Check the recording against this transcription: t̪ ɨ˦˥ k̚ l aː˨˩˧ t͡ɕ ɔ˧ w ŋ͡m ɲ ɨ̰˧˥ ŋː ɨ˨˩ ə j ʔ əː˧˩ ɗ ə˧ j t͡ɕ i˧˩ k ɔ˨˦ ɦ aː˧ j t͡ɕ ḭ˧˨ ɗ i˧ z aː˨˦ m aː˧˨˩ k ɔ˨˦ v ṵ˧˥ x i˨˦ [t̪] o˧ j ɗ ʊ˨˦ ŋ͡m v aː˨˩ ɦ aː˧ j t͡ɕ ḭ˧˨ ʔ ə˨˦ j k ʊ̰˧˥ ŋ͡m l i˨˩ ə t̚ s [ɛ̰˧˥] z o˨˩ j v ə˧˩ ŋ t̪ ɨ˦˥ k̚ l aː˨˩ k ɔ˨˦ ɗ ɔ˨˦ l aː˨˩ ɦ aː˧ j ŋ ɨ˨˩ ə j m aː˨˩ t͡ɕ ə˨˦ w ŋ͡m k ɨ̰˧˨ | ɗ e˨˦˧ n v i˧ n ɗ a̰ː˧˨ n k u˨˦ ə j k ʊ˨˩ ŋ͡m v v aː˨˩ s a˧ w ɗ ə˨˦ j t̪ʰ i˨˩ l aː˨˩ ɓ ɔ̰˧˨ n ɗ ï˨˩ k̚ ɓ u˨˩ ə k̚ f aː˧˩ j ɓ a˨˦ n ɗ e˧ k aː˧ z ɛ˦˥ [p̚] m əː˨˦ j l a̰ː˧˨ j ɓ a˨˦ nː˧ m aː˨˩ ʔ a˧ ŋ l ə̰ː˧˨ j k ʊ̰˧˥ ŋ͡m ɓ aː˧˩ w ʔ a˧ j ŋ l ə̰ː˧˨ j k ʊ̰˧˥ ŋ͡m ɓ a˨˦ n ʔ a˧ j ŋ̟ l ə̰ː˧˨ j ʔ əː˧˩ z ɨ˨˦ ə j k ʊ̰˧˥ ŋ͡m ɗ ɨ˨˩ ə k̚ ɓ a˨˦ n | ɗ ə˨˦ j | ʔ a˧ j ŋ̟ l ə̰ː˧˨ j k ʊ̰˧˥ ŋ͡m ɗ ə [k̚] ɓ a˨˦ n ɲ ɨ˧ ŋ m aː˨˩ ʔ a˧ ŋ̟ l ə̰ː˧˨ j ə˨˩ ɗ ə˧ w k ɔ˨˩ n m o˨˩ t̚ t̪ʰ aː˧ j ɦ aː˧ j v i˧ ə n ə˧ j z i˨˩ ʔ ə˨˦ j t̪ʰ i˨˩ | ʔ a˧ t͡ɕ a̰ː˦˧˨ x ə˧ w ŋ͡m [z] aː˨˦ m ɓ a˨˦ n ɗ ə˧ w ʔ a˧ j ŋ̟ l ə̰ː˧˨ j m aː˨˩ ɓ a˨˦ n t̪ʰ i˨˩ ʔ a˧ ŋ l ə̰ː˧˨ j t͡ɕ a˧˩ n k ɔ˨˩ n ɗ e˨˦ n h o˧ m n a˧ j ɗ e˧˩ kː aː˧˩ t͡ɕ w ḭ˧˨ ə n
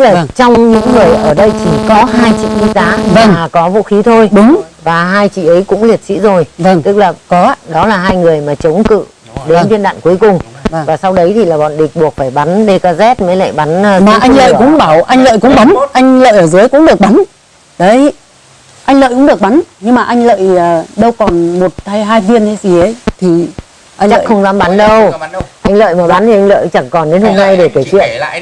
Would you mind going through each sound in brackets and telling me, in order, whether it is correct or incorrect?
incorrect: t̪ʰ, incorrect: ḭ˧˥, incorrect: t̚, correct, correct

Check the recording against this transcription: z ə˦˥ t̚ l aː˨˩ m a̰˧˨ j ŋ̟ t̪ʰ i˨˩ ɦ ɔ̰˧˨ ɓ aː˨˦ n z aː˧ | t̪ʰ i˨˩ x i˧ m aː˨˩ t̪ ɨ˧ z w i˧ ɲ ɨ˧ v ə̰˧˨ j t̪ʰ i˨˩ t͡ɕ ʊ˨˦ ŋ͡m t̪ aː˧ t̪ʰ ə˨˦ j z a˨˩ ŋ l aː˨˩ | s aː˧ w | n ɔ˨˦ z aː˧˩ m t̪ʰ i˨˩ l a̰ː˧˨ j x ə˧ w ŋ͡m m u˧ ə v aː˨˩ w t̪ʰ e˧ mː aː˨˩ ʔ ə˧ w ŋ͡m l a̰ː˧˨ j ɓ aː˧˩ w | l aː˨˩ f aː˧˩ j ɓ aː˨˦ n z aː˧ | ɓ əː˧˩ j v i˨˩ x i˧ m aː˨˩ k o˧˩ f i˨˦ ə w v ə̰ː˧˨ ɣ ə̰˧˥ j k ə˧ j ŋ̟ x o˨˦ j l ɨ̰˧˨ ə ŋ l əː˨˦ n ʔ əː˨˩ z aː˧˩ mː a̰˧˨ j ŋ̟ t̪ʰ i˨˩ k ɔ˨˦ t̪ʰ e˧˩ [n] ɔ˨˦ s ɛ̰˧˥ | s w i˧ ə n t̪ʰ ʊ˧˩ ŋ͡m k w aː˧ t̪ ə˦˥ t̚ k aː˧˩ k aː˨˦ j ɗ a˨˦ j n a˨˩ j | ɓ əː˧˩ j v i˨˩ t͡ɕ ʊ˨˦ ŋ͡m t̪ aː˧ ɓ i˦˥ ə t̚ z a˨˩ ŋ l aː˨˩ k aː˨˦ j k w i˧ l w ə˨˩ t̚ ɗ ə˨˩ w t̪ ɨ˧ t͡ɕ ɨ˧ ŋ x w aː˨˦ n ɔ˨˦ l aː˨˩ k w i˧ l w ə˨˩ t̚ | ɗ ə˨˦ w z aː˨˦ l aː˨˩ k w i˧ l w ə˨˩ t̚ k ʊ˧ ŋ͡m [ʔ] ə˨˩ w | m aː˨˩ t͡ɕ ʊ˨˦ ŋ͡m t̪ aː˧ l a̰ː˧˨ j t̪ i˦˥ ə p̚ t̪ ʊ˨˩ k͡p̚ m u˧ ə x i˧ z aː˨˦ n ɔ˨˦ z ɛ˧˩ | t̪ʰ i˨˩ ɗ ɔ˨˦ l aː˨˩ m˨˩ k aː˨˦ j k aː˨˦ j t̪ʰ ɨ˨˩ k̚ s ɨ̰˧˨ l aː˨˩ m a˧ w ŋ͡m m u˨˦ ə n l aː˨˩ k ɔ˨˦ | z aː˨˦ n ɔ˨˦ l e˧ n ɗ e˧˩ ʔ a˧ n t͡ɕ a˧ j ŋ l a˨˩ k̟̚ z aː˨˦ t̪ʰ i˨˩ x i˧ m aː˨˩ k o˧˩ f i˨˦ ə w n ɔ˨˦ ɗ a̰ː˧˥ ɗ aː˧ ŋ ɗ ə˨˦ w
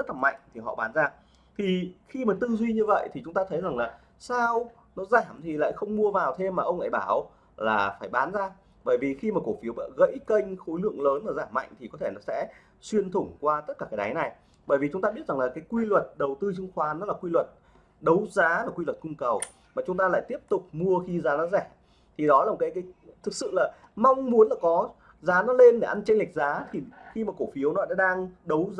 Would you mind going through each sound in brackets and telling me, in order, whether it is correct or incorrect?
correct, incorrect: k

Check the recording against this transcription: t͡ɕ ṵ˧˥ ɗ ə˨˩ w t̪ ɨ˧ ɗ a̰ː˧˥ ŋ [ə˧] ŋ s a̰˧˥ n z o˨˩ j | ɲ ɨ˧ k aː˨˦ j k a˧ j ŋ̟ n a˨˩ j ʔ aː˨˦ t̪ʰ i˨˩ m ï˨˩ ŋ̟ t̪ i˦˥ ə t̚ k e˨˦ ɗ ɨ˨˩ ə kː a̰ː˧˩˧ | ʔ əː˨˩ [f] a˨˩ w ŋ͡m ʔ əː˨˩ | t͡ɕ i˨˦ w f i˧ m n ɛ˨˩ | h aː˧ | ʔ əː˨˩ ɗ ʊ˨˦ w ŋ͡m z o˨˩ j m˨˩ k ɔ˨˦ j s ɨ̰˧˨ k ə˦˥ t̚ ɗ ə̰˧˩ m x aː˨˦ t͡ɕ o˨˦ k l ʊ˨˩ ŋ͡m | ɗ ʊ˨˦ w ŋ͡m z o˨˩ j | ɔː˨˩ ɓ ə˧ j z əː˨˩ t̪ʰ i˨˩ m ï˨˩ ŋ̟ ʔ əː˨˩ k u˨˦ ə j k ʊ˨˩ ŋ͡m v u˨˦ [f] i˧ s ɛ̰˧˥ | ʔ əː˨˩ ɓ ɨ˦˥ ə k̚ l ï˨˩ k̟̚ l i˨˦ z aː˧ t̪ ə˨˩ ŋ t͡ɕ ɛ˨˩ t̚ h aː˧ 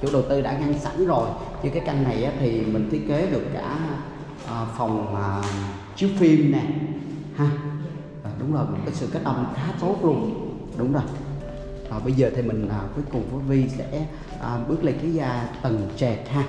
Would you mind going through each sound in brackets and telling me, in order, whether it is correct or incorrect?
incorrect: a˧, correct, incorrect: v

